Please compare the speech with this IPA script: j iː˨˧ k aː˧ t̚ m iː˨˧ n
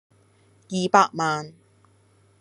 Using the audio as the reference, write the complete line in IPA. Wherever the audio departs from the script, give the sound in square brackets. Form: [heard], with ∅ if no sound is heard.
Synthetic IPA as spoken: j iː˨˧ [p] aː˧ [k̚] m [aː˨˧] n